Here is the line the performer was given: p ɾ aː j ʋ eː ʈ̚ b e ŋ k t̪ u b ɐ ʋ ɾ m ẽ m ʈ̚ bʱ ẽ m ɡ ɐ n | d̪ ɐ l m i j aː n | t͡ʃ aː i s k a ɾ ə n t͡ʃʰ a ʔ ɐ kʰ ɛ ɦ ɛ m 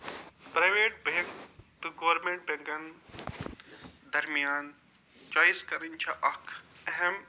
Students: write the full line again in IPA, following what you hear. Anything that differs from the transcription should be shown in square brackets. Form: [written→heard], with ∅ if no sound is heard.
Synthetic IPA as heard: p ɾ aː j ʋ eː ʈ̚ b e ŋ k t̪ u [b→ɡ] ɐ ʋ ɾ m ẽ [m→ɳ] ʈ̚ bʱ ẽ [m→ŋ] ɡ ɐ n | d̪ ɐ [l→ɾ] m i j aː n | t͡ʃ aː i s k [a→ɐ] ɾ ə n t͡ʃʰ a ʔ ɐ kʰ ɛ ɦ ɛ m